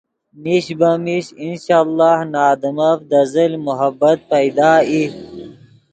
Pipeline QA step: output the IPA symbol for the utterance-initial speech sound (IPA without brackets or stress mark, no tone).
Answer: m